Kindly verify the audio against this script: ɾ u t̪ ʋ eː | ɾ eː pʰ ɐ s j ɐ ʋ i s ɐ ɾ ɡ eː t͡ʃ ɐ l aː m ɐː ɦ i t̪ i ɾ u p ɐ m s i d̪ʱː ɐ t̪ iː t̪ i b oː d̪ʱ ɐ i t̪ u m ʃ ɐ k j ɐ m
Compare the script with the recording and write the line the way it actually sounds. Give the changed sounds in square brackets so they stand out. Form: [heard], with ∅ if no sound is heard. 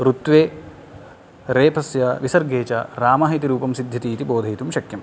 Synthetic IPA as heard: ɾ u t̪ ʋ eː | ɾ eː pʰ ɐ s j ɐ ʋ i s ɐ ɾ ɡ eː t͡ʃ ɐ [ɾ] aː m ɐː ɦ i t̪ i ɾ [uː] p ɐ m s i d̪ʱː ɐ t̪ iː t̪ i b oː d̪ʱ ɐ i t̪ u m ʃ ɐ k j ɐ m